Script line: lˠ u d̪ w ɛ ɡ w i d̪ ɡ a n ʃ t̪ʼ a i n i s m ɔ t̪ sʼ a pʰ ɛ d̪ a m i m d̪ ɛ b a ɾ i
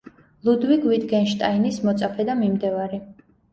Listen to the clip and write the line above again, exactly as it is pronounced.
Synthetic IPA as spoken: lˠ u d̪ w i ɡ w i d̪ ɡ ɛ n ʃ t̪ʼ a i n i s m ɔ t̪ sʼ a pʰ ɛ d̪ a m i m d̪ ɛ v a ɾ i